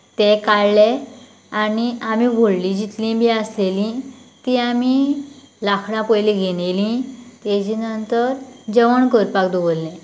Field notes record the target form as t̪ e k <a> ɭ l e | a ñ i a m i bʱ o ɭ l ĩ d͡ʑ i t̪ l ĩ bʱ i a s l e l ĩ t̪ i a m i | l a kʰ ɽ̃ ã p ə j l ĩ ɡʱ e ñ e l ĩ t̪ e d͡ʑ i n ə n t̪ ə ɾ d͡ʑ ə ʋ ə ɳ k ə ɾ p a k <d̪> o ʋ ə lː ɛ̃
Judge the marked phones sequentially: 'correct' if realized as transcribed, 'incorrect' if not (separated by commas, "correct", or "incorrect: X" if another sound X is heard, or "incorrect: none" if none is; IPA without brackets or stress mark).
correct, correct